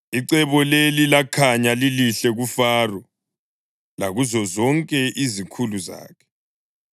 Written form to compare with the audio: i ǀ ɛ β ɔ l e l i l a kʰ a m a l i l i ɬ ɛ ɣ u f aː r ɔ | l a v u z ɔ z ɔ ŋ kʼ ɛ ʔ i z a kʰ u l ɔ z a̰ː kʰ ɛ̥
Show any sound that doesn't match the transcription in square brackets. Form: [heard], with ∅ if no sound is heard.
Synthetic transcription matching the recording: i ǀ ɛ β ɔ l e l i l a kʰ a [ɲ] a l i l i ɬ ɛ ɣ u f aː r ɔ | l a [ɣ] u z ɔ z ɔ ŋ kʼ ɛ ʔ i z [i] kʰ u l [u] z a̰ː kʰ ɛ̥